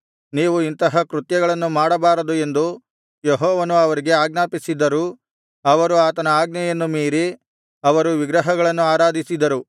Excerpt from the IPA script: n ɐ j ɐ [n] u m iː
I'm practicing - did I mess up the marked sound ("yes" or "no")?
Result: yes